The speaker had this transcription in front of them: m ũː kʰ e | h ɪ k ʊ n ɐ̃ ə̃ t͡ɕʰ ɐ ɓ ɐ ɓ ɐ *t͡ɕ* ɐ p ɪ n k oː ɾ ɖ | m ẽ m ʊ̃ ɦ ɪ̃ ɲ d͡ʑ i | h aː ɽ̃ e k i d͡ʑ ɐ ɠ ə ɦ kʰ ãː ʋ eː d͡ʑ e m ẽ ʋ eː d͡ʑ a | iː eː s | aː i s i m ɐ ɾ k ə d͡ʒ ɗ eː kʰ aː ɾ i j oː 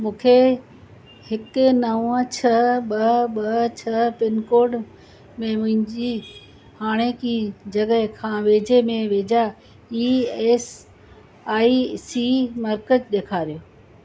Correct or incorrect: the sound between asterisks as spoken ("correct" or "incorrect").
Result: incorrect